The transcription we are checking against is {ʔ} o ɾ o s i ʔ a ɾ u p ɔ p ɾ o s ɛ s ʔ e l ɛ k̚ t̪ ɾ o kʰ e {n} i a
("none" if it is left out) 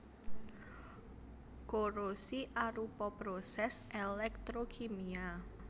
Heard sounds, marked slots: k, m

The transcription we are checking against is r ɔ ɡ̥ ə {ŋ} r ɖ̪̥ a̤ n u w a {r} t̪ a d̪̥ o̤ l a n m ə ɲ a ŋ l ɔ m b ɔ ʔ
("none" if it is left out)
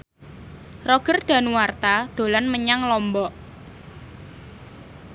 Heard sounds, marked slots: none, r

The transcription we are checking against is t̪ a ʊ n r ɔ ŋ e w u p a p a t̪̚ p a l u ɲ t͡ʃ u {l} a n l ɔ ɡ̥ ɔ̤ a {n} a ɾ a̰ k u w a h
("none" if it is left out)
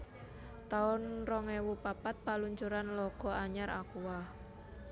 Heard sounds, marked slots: ɾ, ɲ

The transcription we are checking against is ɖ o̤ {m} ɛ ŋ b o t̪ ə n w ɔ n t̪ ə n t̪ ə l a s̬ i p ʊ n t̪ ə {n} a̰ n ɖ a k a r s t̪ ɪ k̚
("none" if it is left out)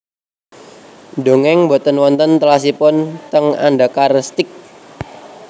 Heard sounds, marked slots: ŋ, ŋ

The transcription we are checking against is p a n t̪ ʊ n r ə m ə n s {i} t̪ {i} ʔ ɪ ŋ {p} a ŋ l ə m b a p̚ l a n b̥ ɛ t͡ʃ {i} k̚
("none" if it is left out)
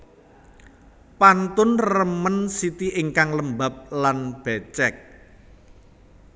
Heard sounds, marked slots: i, i, k, ɛ

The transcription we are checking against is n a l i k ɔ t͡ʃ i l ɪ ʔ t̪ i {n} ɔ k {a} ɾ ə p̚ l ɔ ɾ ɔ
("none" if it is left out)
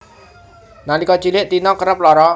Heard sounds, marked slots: n, ə

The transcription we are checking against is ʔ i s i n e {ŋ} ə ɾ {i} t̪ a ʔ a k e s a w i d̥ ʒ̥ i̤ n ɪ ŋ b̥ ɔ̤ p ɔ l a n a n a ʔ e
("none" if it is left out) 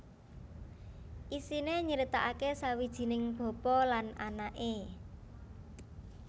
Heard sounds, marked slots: ɲ, i

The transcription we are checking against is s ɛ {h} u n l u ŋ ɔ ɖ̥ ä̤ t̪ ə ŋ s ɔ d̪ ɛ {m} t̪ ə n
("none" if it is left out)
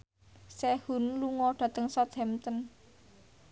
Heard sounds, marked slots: h, m

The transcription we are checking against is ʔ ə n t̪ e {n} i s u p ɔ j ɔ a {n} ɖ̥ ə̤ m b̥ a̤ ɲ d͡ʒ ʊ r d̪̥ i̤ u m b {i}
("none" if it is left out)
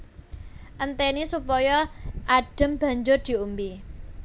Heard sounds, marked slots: n, none, i

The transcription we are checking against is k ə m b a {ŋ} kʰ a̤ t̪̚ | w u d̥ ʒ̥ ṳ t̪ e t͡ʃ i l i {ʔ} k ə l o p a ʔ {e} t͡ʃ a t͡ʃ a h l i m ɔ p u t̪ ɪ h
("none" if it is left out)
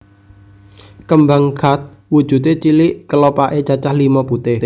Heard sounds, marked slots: ŋ, ʔ, e

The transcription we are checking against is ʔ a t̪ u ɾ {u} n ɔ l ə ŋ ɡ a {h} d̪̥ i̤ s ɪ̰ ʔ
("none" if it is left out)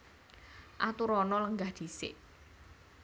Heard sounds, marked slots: ɔ, h

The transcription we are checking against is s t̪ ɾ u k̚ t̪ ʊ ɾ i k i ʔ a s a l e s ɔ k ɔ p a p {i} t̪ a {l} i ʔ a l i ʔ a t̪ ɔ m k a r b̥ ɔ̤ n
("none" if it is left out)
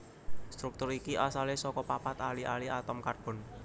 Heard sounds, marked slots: a, l

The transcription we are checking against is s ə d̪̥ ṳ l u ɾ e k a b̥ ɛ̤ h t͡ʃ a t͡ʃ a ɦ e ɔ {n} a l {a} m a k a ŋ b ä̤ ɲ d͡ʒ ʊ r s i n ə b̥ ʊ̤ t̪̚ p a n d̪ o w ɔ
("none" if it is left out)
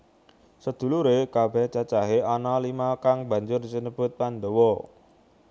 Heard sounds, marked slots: n, i

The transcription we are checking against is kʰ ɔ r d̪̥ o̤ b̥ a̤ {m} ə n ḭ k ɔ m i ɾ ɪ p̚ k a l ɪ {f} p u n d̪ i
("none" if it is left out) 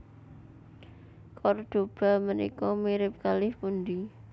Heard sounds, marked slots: m, h

